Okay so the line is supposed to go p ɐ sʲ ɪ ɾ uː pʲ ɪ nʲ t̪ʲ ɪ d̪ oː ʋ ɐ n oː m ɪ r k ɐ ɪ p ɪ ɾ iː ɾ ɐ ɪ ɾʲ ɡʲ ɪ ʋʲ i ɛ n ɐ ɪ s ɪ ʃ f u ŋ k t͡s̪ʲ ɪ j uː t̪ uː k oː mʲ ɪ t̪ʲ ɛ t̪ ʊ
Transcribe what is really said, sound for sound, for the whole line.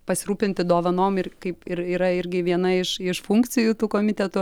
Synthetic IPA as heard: p ɐ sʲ ɪ ɾ uː pʲ ɪ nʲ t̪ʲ ɪ d̪ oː ʋ ɐ n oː m ɪ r k ɐ ɪ p ɪ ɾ iː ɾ ɐ ɪ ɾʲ ɡʲ ɪ ʋʲ i ɛ n ɐ ɪ ʃ ɪ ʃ f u ŋ k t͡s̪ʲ ɪ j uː t̪ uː k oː mʲ ɪ t̪ʲ ɛ t̪ ʊ